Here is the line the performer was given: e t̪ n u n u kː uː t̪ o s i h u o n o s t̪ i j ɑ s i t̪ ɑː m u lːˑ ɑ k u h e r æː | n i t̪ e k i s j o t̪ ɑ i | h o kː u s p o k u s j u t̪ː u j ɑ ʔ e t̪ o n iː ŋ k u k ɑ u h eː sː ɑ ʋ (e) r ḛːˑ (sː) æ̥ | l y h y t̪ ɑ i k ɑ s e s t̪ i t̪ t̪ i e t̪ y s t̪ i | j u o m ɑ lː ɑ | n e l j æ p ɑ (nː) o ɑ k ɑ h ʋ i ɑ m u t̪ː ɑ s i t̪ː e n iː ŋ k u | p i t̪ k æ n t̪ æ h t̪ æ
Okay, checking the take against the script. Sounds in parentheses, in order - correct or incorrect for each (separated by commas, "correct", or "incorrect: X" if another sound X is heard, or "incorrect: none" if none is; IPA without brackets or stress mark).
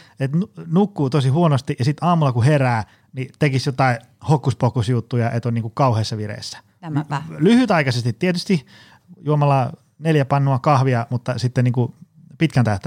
incorrect: i, correct, correct